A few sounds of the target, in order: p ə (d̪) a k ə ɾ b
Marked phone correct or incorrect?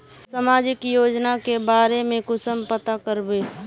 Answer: incorrect